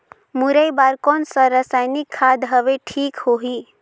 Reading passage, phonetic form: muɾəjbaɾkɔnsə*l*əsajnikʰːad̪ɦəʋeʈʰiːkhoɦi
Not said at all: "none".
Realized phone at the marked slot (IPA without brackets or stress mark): ɾ